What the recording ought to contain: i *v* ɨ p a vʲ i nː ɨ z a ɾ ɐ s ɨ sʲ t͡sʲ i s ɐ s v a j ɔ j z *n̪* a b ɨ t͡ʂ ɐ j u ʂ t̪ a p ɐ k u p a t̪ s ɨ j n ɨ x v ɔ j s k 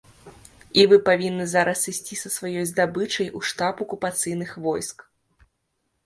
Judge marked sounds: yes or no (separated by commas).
yes, no